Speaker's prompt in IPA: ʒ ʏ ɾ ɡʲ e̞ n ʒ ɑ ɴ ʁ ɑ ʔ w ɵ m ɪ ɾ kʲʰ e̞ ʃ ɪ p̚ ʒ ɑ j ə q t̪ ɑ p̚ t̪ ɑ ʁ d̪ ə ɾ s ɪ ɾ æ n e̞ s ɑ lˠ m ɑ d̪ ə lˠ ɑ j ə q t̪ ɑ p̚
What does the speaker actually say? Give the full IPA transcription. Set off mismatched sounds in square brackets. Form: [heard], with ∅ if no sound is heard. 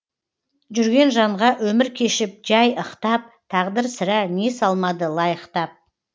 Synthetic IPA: ʒ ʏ ɾ ɡʲ e̞ n ʒ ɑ ɴ ʁ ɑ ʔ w ɵ m ɪ ɾ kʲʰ e̞ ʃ ɪ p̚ ʒ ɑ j ə q t̪ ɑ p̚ [t̪ʰ] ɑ ʁ d̪ ə ɾ s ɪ ɾ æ n e̞ s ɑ lˠ m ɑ d̪ ə lˠ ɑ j ə q t̪ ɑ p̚